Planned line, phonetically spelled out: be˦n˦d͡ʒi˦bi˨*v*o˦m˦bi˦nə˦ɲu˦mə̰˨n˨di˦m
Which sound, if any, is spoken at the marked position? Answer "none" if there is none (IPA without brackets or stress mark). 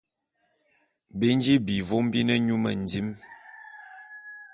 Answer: v